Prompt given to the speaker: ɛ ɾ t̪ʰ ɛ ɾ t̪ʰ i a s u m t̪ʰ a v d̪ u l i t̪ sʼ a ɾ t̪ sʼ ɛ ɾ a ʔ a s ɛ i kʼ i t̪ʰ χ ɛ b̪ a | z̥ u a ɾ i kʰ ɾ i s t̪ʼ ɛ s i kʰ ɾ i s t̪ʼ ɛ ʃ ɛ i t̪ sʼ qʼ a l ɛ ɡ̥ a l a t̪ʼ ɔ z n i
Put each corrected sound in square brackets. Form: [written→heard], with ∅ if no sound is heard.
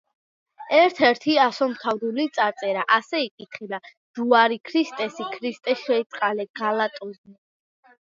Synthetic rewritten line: ɛ ɾ t̪ʰ ɛ ɾ t̪ʰ i a s [u→ɔ] m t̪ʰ a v d̪ u l i t̪ sʼ a ɾ t̪ sʼ ɛ ɾ a ʔ a s ɛ i kʼ i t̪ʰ χ ɛ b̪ a | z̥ u a ɾ i kʰ ɾ i s t̪ʼ ɛ s i kʰ ɾ i s t̪ʼ ɛ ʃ ɛ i t̪ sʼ qʼ a l ɛ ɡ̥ a l a t̪ʼ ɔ z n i